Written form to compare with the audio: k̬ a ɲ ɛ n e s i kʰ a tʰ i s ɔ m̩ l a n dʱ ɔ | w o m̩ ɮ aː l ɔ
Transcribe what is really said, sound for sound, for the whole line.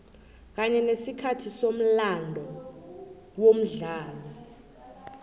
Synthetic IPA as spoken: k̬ a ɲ ɛ n e s i kʰ a tʰ i s o m̩ l a n dʱ ɔ | w o m̩ ɮ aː l ɔ